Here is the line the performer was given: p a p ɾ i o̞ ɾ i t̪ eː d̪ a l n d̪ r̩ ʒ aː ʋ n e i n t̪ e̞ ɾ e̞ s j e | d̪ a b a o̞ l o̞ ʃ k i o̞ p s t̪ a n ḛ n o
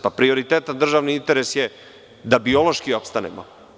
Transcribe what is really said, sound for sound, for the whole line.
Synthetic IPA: p a p ɾ i o̞ ɾ i t̪ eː t̪ a n d̪ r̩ ʒ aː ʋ n i i n t̪ e̞ ɾ e̞ s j e | d̪ a b i o̞ l o̞ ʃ k i o̞ p s t̪ a n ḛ m o